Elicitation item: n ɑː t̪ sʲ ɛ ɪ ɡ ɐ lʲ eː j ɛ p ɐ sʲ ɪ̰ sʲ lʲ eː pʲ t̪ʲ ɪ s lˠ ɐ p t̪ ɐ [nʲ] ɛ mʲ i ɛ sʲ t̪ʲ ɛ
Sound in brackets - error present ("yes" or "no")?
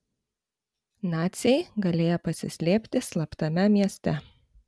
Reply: yes